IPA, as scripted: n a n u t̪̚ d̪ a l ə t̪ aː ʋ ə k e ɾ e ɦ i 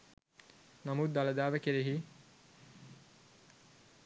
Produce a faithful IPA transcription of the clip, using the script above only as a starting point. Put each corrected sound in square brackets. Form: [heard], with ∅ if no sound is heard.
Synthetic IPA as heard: n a [m] u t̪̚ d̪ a l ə [d̪] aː ʋ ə k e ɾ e ɦ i